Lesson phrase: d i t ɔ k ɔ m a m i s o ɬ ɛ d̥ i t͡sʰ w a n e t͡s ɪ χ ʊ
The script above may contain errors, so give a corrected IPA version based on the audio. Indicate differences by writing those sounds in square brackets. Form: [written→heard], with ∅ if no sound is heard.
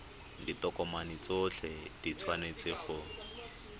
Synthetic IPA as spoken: d i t ɔ k ɔ m a [m→n] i [s→t͡s] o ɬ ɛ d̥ i t͡sʰ w a n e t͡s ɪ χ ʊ